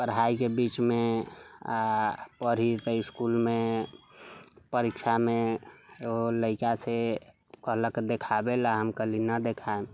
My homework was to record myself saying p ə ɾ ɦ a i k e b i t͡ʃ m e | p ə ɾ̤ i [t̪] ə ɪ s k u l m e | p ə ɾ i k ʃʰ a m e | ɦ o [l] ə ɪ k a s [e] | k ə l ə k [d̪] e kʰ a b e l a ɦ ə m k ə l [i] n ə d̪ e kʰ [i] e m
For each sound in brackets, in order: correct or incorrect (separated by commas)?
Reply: correct, correct, correct, correct, correct, incorrect